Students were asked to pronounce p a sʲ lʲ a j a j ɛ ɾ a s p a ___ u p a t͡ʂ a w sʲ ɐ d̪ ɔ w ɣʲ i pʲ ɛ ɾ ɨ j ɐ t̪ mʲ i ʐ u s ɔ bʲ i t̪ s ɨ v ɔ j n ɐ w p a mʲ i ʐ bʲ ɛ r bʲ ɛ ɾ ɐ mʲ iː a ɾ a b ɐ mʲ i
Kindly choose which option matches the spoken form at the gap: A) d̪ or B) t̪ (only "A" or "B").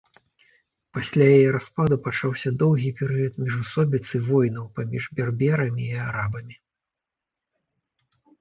A